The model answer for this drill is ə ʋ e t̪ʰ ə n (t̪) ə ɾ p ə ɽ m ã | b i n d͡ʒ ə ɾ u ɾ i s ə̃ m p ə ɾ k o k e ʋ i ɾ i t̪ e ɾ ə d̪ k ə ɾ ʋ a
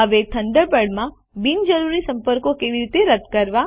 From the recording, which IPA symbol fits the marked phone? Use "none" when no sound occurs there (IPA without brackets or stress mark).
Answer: d̪